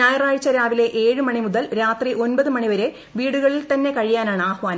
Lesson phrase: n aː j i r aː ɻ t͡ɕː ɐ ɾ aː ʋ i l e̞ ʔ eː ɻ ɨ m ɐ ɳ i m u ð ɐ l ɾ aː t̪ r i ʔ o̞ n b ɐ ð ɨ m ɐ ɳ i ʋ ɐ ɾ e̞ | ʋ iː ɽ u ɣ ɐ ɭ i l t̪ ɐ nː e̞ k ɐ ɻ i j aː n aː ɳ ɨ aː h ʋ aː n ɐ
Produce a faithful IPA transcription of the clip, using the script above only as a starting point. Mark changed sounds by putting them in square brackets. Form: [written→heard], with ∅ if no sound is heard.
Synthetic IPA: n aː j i r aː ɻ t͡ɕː ɐ ɾ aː ʋ i l e̞ ʔ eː ɻ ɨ m ɐ ɳ i m u ð ɐ l ɾ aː t̪ r i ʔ o̞ n b ɐ ð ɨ m ɐ ɳ i ʋ ɐ ɾ e̞ | ʋ iː ɽ u ɣ ɐ ɭ i l t̪ ɐ nː e̞ k ɐ ɻ i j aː n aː ɳ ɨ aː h ʋ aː n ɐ